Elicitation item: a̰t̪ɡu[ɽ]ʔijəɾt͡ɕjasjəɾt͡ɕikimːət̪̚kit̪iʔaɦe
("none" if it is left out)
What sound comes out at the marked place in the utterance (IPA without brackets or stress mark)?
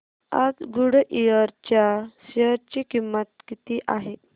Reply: ɽ